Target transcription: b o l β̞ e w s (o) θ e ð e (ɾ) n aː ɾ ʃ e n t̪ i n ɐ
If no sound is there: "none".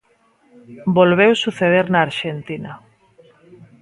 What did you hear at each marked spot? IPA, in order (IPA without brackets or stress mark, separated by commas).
u, ɾ